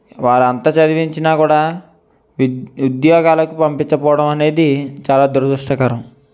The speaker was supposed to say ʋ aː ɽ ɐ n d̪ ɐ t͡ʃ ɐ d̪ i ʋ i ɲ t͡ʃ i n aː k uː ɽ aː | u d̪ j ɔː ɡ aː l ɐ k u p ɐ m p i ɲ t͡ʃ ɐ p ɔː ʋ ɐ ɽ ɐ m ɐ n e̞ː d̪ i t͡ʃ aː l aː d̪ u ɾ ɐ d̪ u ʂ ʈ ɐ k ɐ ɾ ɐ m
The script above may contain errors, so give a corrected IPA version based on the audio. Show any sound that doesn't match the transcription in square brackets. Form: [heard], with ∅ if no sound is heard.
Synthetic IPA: ʋ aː [ɾ] ɐ n [t̪] ɐ t͡ʃ ɐ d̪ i ʋ i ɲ t͡ʃ i n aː k uː ɽ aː | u d̪ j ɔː ɡ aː l ɐ k u p ɐ m p i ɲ t͡ʃ ɐ p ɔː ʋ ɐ ɽ ɐ m ɐ n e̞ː d̪ i t͡ʃ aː l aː d̪ u ɾ ɐ d̪ u ʂ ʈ ɐ k ɐ ɾ ɐ m